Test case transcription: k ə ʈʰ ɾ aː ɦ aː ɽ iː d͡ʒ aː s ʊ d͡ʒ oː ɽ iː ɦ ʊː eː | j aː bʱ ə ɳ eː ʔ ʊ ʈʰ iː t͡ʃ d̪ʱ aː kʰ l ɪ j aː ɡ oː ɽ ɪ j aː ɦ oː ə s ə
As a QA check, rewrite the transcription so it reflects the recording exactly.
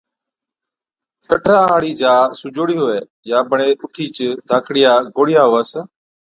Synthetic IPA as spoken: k ə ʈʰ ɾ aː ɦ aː ɽ iː d͡ʒ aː s ʊ d͡ʒ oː ɽ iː ɦ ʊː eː | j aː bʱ ə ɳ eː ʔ ʊ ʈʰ iː t͡ʃ d̪ʱ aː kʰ ɽ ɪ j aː ɡ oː ɽ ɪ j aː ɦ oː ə s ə